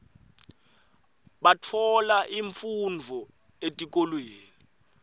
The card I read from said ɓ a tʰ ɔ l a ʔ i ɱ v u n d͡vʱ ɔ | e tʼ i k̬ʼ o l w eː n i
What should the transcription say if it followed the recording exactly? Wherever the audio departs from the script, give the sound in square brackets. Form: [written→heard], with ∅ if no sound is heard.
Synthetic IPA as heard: ɓ a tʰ ɔ l a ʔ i ɱ [v→f] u n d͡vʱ ɔ | e tʼ i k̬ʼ o l w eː n i